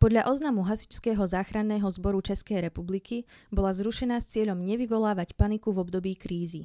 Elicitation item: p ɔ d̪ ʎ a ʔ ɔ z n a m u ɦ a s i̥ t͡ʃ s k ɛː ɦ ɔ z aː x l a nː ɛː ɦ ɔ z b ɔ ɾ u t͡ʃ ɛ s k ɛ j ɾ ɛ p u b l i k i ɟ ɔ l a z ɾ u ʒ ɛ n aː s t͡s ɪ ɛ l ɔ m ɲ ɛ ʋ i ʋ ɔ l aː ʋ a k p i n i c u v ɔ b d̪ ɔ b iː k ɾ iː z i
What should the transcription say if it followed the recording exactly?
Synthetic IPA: p ɔ d̪ ʎ a ʔ ɔ z n a m u ɦ a s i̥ t͡ʃ s k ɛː ɦ ɔ z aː x ɾ a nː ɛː ɦ ɔ z b ɔ ɾ u t͡ʃ ɛ s k ɛ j ɾ ɛ p u b l i k i b ɔ l a z ɾ u ʃ ɛ n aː s t͡s ɪ ɛ ʎ ɔ m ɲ ɛ ʋ i ʋ ɔ l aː ʋ a c p a n i k u v ɔ b d̪ ɔ b iː k ɾ iː z i